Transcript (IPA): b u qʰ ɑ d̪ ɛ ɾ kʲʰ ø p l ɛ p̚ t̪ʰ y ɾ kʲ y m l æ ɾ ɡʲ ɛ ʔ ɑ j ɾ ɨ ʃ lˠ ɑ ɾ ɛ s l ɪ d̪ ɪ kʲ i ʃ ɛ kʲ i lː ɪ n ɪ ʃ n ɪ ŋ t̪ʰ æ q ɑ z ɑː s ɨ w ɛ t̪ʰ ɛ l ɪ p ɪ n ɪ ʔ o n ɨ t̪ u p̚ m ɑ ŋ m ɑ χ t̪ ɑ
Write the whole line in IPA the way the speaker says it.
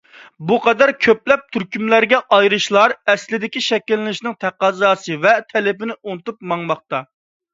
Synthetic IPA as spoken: b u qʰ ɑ d̪ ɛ ɾ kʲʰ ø p l ɛ p̚ t̪ʰ y ɾ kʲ y m l æ ɾ ɡʲ ɛ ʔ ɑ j ɾ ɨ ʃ lˠ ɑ ɾ ɛ s l ɪ d̪ ɪ kʲ i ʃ ɛ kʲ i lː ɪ n ɪ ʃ n ɪ ŋ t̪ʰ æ q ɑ z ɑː s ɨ v ɛ t̪ʰ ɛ l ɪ p ɪ n ɪ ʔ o n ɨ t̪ u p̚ m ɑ ŋ m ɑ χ t̪ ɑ